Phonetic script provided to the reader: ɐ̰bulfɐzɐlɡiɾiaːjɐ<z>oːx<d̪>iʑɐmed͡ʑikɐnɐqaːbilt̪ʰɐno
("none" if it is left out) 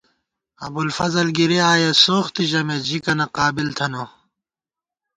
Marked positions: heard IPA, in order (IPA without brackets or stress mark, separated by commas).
s, t̪